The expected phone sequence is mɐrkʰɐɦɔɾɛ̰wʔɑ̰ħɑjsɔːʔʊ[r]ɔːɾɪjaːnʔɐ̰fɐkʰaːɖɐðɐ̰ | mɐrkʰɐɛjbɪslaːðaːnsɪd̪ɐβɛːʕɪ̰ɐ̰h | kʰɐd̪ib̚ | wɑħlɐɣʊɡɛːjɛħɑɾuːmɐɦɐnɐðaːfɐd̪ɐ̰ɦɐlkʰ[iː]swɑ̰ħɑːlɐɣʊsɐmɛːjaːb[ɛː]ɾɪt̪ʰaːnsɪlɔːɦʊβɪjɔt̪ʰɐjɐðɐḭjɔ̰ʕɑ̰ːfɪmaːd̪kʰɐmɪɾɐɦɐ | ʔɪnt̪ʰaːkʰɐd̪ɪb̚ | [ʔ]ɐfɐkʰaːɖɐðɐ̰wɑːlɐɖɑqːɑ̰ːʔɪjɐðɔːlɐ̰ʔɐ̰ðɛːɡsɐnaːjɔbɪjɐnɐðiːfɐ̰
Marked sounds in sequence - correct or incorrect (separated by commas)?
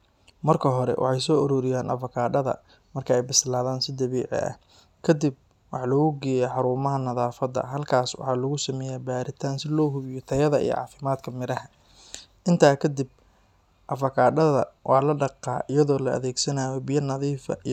incorrect, incorrect, incorrect, correct